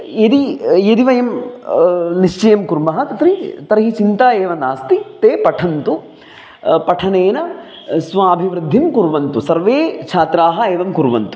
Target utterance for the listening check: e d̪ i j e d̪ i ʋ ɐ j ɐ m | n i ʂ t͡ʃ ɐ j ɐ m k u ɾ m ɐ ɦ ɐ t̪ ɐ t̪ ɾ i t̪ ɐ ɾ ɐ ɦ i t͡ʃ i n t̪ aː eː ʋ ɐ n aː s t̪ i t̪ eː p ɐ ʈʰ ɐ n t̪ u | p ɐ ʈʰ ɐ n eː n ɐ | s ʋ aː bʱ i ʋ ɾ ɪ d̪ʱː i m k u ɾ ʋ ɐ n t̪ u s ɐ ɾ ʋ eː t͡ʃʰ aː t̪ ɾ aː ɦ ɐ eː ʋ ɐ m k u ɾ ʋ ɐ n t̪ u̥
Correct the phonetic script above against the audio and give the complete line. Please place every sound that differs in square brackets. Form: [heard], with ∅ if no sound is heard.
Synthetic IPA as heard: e d̪ i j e d̪ i ʋ ɐ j ɐ m | n i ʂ t͡ʃ ɐ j ɐ m k u ɾ m ɐ ɦ ɐ t̪ ɐ t̪ ɾ i t̪ ɐ ɾ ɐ ɦ i t͡ʃ i n t̪ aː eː ʋ ɐ n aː s t̪ i t̪ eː p ɐ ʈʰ ɐ n t̪ u | p ɐ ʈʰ ɐ n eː n ɐ | s ʋ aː bʱ i ʋ ɾ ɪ d̪ʱː i m k u ɾ ʋ ɐ n t̪ u s ɐ ɾ ʋ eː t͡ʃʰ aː t̪ ɾ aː ɦ ɐ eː ʋ ɐ m k u ɾ ʋ ɐ n t̪ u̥